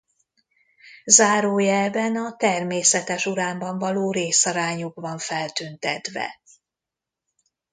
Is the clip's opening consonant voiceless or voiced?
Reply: voiced